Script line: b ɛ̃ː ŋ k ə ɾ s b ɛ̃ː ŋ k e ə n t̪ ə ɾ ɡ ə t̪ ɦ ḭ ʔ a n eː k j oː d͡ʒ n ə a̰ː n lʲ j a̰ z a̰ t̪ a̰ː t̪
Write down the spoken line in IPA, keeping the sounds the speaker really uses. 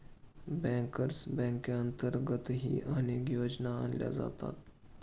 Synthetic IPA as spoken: b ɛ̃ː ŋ k ə ɾ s b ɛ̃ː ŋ k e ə n t̪ ə ɾ ɡ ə t̪ ɦ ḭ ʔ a n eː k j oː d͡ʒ n a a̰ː n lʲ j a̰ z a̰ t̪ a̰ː t̪